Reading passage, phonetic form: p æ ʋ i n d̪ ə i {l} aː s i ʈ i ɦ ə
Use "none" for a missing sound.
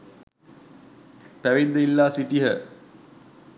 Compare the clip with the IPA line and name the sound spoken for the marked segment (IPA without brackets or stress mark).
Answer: lː